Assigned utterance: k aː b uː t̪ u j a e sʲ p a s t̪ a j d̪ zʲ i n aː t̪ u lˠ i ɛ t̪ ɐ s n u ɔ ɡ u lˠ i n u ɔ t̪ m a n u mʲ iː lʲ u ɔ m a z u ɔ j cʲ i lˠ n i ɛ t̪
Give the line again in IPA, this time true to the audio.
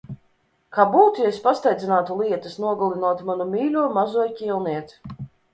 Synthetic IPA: k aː b uː t̪ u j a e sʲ p a s t̪ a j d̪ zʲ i n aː t̪ u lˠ i ɛ t̪ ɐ s n u ɔ ɡ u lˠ i n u ɔ t̪ m a n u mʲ iː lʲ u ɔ m a z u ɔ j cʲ i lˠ n i ɛ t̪

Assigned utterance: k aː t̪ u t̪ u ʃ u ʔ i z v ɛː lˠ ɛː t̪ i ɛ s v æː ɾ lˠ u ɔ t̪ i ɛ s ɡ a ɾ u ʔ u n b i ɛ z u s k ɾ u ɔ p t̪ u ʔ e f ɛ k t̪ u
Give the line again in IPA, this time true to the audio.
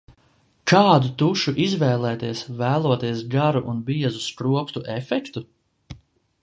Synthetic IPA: k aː d̪ u t̪ u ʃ u ʔ i z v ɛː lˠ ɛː t̪ i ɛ s v æː lˠ u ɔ t̪ i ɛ s ɡ a ɾ u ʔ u n b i ɛ z u s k ɾ u ɔ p t̪ u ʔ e f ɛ k t̪ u

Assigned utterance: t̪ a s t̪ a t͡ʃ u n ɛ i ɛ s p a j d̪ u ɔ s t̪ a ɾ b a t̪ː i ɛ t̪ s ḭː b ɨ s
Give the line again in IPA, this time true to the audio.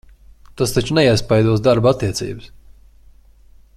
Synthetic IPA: t̪ a s t̪ a t͡ʃ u n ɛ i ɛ s p a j d̪ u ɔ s d̪ a ɾ b a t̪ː i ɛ t̪ s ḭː b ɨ s

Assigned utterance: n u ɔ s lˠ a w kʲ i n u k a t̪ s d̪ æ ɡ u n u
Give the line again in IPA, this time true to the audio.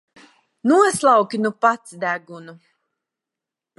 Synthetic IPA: n u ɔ s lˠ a w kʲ i n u p a t̪ s d̪ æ ɡ u n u

